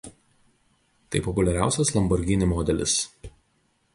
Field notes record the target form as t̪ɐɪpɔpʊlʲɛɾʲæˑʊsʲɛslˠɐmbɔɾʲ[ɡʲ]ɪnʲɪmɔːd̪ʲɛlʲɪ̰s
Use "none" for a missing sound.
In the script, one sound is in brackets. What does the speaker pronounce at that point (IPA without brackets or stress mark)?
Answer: ɡʲ